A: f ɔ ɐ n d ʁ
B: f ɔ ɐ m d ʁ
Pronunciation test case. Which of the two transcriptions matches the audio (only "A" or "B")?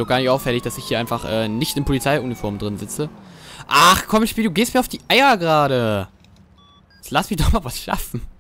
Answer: B